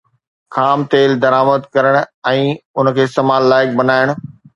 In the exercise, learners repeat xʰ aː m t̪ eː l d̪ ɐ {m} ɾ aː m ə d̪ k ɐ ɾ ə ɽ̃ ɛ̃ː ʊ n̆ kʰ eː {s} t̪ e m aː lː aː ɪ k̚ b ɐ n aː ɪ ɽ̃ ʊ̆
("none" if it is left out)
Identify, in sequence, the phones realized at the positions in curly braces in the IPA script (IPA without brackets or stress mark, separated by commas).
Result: none, s